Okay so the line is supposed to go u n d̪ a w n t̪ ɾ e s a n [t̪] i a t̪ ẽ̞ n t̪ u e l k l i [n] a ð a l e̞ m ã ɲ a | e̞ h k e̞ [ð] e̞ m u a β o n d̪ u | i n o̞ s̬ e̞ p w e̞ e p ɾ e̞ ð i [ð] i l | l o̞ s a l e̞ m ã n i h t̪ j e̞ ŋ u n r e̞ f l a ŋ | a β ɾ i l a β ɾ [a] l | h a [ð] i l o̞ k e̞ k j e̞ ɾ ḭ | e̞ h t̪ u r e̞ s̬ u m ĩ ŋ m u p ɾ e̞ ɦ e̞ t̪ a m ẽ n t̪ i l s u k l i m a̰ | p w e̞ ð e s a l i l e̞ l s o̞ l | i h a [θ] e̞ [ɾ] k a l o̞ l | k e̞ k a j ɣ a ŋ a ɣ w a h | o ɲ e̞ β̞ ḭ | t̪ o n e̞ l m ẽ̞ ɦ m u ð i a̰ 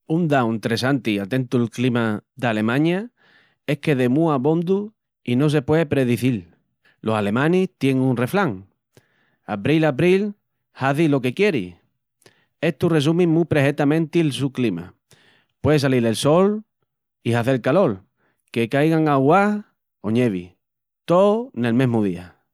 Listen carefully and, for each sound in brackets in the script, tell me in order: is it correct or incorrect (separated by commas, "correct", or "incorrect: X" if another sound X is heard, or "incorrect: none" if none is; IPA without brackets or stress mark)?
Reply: correct, incorrect: m, correct, incorrect: θ, incorrect: i, incorrect: θ, correct, incorrect: l